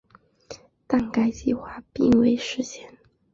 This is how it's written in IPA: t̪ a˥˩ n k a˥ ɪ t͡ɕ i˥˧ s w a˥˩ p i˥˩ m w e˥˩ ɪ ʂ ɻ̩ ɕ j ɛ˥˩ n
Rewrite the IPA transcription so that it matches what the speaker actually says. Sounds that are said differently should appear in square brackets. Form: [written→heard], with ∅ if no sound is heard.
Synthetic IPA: t̪ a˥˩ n k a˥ ɪ t͡ɕ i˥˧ [s→x] w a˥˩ p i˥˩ [m→ŋ] w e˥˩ ɪ ʂ ɻ̩ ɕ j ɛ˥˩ n